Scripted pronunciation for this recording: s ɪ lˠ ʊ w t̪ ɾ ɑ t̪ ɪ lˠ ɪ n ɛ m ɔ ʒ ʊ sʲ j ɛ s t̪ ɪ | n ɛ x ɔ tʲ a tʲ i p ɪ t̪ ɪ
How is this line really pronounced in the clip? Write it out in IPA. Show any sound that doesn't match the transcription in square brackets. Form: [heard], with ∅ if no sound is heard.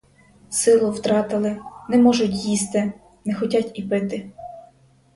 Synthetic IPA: s ɪ lˠ ʊ w t̪ ɾ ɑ t̪ ɪ lˠ ɪ n ɛ m ɔ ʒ ʊ [tʲ] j [i] s t̪ ɪ | n ɛ x ɔ tʲ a tʲ i p ɪ t̪ ɪ